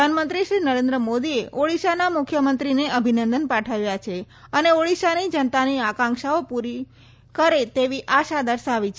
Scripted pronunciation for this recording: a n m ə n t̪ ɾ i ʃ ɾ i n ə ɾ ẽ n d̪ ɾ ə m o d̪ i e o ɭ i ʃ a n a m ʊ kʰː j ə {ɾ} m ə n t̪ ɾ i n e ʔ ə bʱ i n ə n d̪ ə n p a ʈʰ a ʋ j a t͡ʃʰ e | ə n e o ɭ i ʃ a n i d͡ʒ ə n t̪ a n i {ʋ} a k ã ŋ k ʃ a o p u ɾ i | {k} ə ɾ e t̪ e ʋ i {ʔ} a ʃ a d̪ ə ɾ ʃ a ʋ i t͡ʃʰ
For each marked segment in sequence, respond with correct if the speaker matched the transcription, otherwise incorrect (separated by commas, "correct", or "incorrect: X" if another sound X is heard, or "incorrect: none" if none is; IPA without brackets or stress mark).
incorrect: none, incorrect: none, correct, correct